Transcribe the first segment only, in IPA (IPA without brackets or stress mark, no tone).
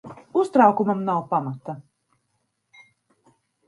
u